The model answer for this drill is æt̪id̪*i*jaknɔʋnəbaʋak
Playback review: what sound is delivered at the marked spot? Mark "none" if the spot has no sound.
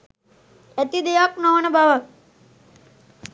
e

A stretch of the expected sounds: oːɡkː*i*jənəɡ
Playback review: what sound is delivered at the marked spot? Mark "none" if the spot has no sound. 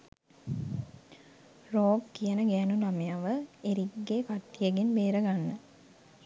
i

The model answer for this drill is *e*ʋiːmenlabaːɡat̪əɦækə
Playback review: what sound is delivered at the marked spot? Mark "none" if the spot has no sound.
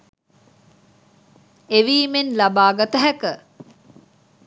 e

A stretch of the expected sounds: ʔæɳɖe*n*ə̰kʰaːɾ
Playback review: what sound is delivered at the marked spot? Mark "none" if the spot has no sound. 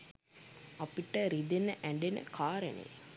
n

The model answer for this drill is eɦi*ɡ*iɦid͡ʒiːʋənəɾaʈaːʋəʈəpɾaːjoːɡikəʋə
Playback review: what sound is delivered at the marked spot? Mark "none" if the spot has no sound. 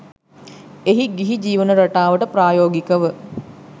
ɡ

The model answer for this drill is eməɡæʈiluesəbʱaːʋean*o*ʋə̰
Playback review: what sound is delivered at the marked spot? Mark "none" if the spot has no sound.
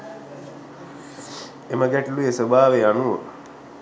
u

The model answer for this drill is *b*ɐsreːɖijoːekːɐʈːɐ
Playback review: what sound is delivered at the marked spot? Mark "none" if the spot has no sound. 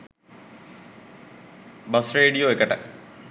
b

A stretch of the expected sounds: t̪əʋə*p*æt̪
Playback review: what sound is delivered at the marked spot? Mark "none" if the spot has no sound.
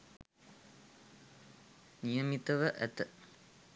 ʔ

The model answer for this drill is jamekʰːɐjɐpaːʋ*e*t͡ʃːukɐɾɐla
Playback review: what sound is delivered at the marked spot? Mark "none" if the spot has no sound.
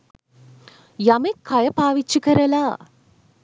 i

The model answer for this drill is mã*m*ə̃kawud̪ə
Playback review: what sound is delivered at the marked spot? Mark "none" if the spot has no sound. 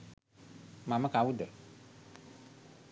m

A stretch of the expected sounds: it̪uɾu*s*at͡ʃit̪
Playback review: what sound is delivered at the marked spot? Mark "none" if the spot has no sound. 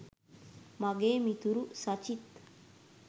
s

